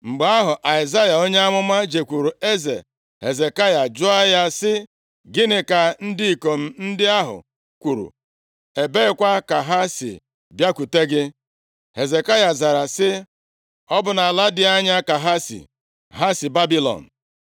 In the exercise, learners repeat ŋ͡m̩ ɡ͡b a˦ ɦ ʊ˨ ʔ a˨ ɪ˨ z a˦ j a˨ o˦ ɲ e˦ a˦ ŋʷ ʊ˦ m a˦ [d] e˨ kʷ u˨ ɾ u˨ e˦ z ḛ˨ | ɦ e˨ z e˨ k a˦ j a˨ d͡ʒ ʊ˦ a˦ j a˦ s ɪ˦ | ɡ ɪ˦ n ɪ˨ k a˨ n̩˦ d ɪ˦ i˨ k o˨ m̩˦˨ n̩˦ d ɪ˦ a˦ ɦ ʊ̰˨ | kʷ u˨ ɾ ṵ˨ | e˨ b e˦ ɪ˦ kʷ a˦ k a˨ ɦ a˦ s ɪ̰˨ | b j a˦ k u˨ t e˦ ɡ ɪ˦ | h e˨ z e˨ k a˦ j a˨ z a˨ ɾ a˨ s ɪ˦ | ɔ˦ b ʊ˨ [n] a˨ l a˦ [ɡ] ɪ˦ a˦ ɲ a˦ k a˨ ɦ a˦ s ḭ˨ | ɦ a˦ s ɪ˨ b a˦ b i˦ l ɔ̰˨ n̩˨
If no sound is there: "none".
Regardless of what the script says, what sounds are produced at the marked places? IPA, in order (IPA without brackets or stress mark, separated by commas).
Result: d͡ʒ, n, d